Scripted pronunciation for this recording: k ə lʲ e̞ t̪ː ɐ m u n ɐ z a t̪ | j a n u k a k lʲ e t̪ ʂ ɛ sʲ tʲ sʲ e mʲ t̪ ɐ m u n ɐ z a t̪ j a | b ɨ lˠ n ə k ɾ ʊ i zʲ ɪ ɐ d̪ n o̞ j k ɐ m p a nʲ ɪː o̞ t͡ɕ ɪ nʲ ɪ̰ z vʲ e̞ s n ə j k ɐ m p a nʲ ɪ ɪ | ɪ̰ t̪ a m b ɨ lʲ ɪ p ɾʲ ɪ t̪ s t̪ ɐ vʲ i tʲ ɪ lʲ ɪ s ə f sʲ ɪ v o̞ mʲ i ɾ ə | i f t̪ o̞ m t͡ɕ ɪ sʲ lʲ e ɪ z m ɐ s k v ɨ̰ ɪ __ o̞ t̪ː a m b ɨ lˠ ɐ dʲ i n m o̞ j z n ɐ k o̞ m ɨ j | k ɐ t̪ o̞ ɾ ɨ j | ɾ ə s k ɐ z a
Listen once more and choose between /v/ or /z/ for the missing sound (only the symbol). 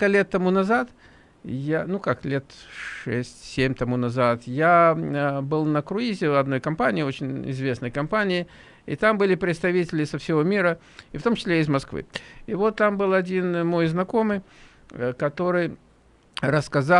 v